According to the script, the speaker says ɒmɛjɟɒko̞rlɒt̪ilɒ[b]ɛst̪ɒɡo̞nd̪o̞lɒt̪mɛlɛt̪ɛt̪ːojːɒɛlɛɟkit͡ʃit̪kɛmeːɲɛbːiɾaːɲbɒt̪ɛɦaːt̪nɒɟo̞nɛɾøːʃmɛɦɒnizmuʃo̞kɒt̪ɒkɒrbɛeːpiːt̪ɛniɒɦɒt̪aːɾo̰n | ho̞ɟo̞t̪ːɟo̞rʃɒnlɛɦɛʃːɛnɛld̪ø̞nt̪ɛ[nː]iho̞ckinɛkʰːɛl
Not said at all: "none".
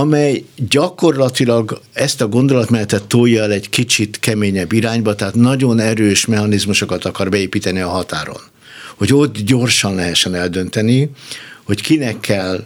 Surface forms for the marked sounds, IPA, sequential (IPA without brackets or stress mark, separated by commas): ɡ, n